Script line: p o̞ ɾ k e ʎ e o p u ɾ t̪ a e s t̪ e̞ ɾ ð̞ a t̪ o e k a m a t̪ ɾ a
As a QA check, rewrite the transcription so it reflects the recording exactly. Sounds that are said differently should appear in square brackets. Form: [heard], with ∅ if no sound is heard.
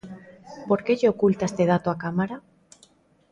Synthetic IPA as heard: p o̞ ɾ k e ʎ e o [k] u [l] t̪ a e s t̪ e̞ [∅] ð̞ a t̪ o [a] k a m a [∅] ɾ a

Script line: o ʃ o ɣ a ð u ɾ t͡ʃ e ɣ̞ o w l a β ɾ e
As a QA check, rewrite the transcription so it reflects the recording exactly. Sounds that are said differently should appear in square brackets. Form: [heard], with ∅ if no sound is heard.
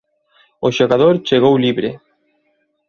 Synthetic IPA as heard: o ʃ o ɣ a ð [o] ɾ t͡ʃ e ɣ̞ o w l [i] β ɾ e

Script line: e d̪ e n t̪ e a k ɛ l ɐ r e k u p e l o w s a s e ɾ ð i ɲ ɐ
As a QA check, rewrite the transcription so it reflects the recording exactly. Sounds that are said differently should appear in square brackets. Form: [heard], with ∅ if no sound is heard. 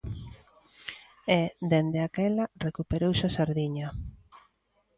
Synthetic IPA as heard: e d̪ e n [d̪] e a k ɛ l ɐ r e k u p e [ɾ] o w s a s [a] ɾ ð i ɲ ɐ

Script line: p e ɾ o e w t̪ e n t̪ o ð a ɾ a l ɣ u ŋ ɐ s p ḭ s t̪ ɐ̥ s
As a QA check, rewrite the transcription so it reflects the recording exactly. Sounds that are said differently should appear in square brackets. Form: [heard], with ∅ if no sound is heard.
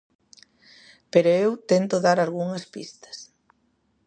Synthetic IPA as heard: p e ɾ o e w t̪ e n t̪ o ð a ɾ a l ɣ u ŋ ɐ s p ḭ s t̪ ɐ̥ s

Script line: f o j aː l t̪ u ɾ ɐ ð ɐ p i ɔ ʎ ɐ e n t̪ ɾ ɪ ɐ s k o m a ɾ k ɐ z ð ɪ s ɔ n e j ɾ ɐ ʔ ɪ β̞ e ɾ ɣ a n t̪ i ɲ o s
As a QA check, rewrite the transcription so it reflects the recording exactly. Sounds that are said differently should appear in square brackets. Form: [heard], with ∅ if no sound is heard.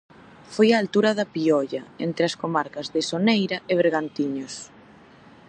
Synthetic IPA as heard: f o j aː l t̪ u ɾ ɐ ð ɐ p i ɔ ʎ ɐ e n t̪ ɾ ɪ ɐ s k o m a ɾ k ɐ z ð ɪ s [o] n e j ɾ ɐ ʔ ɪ β̞ e ɾ ɣ a n t̪ i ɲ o s

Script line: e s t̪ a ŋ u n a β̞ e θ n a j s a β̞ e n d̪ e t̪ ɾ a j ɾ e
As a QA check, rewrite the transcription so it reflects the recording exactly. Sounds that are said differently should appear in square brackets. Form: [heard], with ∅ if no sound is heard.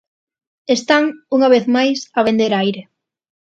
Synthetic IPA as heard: e s t̪ a ŋ u [ŋ] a β̞ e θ [m] a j s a β̞ e n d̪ e [∅] ɾ a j ɾ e

